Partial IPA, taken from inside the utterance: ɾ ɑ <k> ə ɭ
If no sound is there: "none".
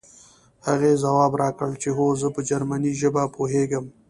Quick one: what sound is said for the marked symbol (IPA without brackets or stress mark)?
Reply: k